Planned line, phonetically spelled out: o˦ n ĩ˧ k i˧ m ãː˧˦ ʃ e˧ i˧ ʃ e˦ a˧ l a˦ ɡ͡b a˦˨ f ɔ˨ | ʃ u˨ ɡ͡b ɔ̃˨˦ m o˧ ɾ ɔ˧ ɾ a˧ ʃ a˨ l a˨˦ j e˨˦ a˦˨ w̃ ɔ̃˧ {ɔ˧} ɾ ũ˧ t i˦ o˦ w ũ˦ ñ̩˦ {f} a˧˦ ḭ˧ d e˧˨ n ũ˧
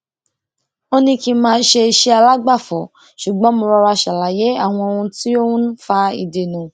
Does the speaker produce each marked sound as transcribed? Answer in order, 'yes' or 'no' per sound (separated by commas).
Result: no, yes